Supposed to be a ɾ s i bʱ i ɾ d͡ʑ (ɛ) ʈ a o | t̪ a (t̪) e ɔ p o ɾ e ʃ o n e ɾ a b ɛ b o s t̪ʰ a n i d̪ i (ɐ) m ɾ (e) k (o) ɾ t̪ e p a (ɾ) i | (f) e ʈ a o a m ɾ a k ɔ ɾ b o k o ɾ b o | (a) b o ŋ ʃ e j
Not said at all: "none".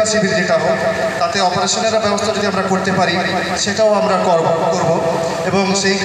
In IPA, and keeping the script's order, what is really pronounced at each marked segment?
e, t̪, a, a, o, ɾ, ʃ, e

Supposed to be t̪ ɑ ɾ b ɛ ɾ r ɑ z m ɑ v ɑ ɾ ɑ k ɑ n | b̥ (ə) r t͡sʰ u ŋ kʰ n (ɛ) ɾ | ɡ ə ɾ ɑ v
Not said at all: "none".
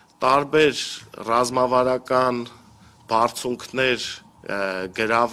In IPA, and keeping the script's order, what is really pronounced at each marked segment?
ɑ, ɛ

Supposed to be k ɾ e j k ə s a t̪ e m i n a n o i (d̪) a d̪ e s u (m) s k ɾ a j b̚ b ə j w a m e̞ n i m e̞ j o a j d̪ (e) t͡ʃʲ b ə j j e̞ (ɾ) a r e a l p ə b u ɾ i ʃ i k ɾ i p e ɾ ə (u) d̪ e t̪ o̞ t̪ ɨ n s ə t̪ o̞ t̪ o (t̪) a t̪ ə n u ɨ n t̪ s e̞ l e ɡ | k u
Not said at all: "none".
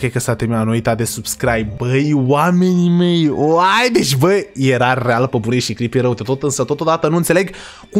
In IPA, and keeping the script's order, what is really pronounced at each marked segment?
t̪, b, e, ɾ, w, d̪

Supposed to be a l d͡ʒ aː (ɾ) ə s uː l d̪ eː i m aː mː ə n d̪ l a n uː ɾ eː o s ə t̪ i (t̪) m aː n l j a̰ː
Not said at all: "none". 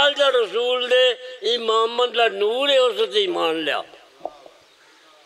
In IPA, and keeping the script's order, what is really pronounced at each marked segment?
ɾ, none

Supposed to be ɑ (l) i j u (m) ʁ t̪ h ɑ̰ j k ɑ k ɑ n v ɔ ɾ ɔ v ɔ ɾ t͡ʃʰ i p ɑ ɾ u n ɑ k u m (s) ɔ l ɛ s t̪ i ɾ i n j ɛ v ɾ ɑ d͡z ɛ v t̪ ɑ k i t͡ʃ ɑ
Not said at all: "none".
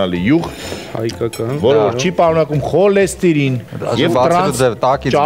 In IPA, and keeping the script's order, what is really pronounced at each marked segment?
l, none, χ

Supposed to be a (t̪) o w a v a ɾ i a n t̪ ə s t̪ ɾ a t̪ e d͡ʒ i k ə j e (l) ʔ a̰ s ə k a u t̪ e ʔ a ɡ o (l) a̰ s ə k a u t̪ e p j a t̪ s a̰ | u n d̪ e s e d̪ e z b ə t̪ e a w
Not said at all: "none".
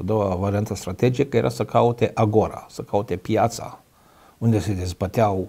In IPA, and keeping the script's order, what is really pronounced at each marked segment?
d̪, ɾ, ɾ

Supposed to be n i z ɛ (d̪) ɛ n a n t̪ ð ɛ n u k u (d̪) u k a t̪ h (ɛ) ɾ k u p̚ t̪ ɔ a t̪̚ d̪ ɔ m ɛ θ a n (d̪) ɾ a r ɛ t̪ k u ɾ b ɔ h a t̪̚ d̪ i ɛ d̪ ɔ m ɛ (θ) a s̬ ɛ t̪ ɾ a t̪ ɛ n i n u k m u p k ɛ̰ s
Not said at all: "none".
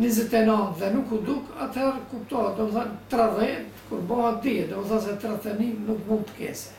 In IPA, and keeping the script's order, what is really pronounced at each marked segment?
t̪, d̪, ɛ, t̪, θ

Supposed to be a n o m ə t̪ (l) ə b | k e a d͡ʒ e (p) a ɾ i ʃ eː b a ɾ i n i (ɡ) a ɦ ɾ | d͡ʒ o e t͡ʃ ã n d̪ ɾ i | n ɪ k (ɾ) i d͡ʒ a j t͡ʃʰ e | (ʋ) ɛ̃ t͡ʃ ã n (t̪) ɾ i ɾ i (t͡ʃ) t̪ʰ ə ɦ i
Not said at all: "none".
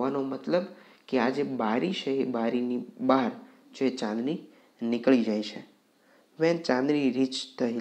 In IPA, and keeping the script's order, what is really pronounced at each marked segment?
l, b, b, ɭ, ʋ, d̪, t͡ʃ

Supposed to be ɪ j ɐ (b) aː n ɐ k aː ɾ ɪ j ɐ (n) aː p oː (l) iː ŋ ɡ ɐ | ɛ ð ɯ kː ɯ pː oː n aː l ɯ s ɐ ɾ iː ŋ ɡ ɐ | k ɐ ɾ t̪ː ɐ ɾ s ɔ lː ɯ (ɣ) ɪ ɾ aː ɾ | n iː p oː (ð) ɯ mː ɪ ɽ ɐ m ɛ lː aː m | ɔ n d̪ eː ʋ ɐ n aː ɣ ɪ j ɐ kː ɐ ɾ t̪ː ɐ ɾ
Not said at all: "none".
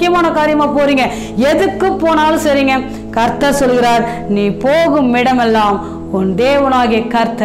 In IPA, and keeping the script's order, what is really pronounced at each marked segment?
m, m, ɾ, ɣ, ɣ

